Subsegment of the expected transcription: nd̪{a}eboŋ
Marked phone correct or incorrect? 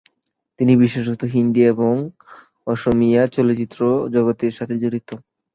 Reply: incorrect